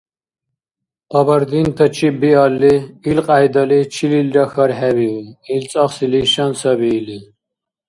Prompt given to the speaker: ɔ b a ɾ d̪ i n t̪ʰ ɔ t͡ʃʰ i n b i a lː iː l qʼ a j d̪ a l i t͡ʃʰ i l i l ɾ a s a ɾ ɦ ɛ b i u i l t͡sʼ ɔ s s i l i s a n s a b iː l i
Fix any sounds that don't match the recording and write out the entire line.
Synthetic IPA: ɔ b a ɾ d̪ i n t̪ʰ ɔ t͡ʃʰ i b i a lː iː l qʼ a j d̪ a l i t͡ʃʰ i l i l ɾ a x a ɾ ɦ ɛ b i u i l t͡sʼ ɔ χ s i l i ʃ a n s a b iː l i